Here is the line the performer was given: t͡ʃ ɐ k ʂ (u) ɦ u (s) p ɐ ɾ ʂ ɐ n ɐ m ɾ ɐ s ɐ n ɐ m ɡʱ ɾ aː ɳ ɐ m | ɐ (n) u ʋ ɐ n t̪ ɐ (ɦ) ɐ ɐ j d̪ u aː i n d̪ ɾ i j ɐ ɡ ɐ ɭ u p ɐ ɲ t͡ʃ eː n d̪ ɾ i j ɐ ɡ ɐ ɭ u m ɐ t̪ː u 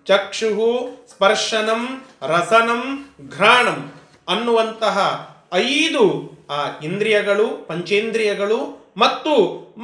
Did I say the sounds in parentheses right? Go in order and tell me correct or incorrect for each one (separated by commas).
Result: correct, correct, incorrect, correct